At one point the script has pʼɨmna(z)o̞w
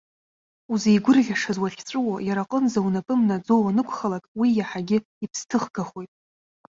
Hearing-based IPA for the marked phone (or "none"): d͡z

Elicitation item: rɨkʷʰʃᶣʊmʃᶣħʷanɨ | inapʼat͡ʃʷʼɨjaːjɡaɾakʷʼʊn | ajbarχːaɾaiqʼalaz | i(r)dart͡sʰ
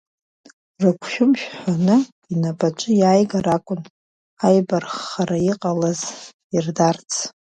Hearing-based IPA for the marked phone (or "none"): r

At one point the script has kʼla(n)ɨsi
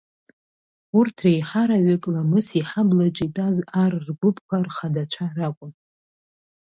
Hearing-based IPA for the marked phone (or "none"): m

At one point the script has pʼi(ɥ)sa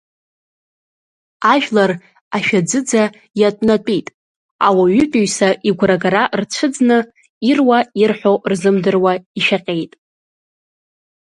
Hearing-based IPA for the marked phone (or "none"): ɥ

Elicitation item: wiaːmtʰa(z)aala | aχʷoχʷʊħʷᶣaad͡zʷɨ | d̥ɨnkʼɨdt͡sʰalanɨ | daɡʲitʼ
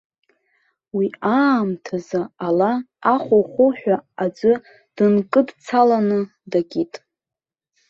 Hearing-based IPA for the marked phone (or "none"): z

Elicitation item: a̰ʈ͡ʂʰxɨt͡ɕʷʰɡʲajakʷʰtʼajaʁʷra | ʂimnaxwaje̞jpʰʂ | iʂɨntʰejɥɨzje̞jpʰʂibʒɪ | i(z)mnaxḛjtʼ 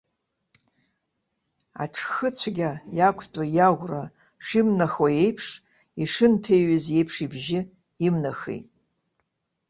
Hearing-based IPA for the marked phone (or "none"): none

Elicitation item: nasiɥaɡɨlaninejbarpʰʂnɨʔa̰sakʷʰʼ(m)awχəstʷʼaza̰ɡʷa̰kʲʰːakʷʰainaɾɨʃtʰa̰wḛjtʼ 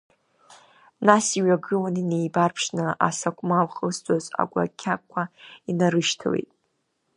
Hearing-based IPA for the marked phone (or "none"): m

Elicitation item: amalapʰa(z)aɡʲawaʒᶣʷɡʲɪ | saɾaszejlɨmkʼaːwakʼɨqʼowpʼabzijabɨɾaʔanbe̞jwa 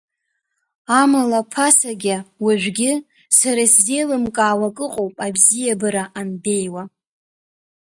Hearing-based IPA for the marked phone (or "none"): s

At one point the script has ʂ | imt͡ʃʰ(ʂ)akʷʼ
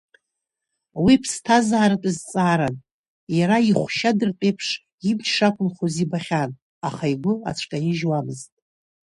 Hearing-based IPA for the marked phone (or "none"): ʂ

